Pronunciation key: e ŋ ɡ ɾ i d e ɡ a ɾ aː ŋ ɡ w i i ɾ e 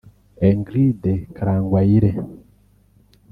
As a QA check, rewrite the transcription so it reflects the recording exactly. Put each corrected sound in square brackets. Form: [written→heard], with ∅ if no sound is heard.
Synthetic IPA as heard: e ŋ ɡ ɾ i d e [ɡ→k] a ɾ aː ŋ ɡ w [i→a] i ɾ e